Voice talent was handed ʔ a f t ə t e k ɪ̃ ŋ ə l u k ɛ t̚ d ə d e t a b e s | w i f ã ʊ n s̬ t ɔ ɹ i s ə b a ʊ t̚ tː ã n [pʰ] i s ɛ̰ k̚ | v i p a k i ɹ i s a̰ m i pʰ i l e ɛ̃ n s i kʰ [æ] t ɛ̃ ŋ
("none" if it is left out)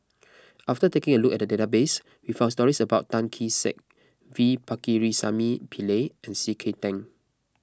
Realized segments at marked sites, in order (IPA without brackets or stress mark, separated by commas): kʰ, e